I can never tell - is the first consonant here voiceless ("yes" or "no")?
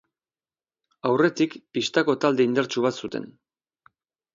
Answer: no